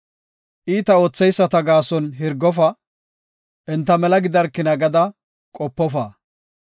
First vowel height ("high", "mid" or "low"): high